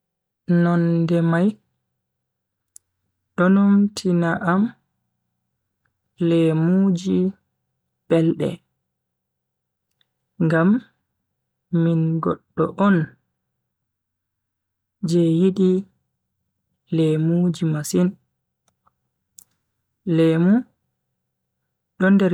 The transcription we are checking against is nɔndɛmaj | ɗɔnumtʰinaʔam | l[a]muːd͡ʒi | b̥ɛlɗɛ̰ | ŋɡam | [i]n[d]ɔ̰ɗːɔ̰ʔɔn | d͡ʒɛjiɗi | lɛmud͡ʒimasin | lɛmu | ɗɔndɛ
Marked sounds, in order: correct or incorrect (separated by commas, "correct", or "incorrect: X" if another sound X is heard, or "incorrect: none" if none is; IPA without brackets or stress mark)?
incorrect: ɛ, correct, incorrect: ɡ